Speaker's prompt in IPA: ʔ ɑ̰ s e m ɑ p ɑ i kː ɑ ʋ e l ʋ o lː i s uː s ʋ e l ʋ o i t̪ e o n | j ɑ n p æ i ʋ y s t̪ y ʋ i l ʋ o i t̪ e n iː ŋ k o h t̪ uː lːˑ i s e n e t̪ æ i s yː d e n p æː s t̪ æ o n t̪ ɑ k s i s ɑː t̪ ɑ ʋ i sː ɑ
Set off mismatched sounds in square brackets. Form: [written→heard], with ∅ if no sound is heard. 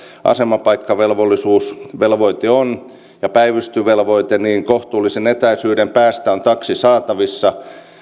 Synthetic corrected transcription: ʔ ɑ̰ s e m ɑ p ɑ i kː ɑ ʋ e l ʋ o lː i s uː s ʋ e l ʋ o i t̪ e o n | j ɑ [n→∅] p æ i ʋ y s t̪ y ʋ [i→e] l ʋ o i t̪ e n iː ŋ k o h t̪ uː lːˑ i s e n e t̪ æ i s yː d e [n→m] p æː s t̪ æ o n t̪ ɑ k s i s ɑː t̪ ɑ ʋ i sː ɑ